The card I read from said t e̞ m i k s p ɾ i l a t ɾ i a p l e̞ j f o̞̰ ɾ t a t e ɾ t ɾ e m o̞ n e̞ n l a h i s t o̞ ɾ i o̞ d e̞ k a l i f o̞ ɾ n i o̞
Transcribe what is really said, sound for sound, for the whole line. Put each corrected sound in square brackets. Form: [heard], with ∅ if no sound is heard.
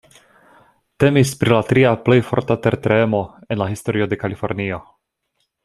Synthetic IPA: t e̞ m i [∅] s p ɾ i l a t ɾ i a p l e̞ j f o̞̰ ɾ t a t e ɾ t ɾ e m o̞ [∅] e̞ n l a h i s t o̞ ɾ i o̞ d e̞ k a l i f o̞ ɾ n i o̞